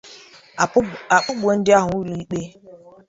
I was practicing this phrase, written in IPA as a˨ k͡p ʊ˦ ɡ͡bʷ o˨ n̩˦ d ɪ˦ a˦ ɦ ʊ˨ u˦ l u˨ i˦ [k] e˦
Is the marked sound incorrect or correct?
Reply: incorrect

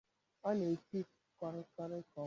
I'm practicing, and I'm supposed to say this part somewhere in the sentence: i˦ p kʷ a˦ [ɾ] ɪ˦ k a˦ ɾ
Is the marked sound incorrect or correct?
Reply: correct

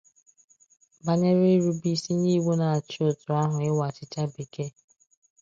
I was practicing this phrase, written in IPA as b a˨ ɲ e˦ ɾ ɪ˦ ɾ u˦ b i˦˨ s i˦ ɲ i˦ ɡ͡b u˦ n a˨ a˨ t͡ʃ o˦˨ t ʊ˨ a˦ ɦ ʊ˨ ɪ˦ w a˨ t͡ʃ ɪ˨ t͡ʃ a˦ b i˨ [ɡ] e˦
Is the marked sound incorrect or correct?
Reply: incorrect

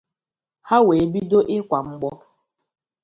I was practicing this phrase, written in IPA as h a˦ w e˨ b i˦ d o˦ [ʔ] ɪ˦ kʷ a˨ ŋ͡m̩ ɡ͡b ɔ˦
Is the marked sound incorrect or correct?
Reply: correct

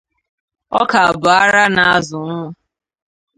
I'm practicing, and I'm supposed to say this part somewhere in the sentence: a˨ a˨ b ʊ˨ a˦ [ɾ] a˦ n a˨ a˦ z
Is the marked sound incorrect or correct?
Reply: correct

